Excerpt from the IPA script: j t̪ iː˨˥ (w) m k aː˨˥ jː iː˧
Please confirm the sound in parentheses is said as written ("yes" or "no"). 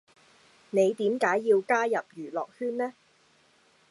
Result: no